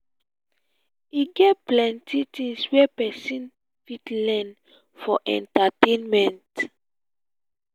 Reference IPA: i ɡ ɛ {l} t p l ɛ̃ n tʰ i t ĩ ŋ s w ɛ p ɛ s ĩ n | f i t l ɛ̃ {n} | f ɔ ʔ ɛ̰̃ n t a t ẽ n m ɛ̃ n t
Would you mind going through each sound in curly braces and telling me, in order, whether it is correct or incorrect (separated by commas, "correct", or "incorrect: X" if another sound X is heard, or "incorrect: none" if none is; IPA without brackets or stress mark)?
incorrect: none, correct